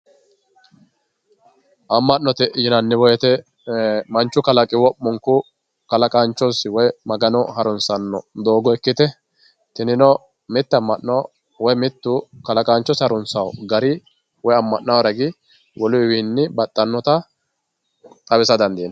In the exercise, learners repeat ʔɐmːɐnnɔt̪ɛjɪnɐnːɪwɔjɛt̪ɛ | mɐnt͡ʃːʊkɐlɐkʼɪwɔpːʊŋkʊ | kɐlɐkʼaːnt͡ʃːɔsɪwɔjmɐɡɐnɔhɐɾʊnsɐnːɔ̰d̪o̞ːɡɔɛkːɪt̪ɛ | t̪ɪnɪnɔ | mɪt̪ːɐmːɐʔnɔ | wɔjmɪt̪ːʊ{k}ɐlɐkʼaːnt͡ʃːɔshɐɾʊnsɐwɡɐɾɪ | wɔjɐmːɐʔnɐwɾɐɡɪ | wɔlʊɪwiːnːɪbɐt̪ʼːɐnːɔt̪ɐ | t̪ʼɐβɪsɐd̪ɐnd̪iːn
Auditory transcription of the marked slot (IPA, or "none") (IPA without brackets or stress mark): k